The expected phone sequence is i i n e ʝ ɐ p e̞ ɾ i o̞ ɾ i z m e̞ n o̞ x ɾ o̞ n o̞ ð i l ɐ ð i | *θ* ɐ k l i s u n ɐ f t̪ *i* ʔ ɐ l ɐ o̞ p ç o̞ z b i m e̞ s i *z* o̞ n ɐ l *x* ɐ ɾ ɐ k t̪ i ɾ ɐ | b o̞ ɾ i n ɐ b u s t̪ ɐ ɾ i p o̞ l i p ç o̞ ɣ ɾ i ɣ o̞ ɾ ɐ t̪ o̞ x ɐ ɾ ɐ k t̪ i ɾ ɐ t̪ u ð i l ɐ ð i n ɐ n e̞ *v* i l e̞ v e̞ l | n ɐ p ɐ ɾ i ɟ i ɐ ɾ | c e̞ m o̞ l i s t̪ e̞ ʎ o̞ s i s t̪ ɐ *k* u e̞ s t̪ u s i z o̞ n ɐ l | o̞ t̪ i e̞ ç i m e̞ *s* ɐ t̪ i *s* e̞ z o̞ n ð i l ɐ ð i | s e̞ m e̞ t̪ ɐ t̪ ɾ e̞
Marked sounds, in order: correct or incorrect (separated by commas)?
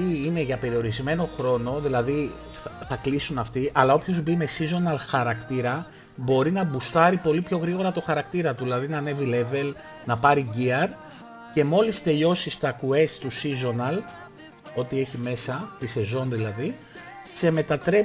correct, correct, correct, correct, correct, correct, correct, correct